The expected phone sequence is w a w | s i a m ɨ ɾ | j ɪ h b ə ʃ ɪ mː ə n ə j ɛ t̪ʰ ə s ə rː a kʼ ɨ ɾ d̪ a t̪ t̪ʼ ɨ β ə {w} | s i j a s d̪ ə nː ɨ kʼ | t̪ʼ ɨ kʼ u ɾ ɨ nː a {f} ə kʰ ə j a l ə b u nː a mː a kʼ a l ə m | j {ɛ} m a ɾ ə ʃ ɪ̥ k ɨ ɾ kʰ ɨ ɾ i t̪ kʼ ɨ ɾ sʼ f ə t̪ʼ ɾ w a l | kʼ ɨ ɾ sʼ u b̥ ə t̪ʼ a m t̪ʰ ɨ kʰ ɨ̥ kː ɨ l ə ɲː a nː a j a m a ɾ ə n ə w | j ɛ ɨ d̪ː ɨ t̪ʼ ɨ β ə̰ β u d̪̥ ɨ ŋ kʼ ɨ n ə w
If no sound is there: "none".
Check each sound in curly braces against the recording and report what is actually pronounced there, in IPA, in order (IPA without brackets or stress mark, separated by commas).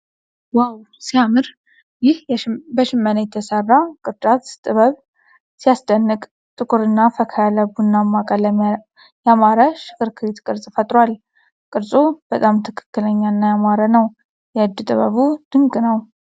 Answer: β, f, a